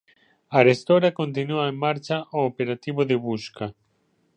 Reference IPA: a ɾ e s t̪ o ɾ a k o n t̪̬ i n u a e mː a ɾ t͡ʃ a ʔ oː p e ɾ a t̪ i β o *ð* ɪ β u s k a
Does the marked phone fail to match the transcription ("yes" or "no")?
no